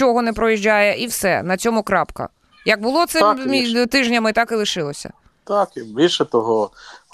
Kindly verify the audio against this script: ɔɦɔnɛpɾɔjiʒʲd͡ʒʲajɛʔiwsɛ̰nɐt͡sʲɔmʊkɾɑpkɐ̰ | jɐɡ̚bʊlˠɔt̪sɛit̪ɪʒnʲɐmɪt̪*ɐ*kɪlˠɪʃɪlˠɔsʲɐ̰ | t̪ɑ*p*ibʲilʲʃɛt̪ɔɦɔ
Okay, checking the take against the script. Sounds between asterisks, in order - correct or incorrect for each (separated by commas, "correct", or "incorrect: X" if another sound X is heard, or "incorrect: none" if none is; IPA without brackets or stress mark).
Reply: incorrect: ɑ, incorrect: k